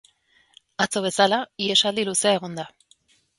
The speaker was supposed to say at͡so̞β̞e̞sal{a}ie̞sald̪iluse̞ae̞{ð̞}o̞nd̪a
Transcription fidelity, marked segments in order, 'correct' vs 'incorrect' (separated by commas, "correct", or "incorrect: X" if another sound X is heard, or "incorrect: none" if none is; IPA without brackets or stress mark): correct, incorrect: ɣ̞